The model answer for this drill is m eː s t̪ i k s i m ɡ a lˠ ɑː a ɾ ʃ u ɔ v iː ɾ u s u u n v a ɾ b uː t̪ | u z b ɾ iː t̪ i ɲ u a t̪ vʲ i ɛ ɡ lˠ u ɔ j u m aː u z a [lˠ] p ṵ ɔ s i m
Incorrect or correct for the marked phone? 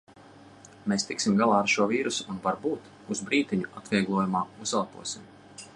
correct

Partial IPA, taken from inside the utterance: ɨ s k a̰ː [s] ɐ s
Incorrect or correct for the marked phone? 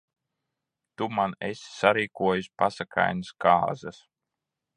incorrect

